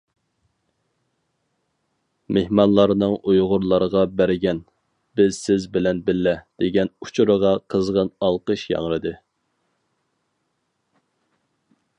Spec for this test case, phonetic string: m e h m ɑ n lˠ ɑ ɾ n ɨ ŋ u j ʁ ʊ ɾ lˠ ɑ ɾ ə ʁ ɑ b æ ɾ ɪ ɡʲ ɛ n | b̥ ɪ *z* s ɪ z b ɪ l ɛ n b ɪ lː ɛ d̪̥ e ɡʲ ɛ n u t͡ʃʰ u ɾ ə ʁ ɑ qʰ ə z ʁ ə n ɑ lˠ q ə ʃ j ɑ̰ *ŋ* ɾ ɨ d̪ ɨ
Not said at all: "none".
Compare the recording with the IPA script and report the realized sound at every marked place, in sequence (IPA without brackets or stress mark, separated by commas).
z, ŋ